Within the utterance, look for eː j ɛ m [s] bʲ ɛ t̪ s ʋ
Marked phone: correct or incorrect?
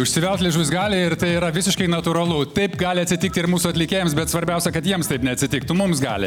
correct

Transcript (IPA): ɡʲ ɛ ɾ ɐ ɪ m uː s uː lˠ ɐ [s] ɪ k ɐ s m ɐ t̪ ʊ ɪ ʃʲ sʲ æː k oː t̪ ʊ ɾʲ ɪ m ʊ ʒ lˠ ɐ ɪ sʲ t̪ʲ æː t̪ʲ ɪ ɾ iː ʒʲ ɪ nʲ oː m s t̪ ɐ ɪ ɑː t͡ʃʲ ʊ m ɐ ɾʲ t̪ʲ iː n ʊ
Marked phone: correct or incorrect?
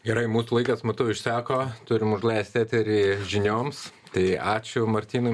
incorrect: none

